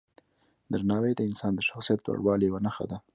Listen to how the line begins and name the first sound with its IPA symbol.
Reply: d̪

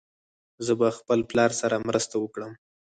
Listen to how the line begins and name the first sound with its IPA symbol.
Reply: z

